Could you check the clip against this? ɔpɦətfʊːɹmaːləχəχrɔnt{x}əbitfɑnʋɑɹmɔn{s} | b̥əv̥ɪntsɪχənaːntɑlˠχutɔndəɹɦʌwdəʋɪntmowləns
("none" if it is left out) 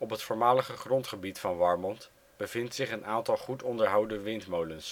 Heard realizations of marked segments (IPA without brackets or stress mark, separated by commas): χ, t